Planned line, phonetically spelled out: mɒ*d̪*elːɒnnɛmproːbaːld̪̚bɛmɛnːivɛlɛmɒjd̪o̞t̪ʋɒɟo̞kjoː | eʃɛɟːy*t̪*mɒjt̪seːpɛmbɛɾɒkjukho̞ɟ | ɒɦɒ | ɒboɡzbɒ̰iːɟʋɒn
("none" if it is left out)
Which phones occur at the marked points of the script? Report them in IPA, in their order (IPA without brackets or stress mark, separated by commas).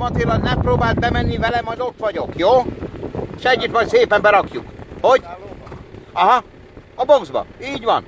t̪, t̪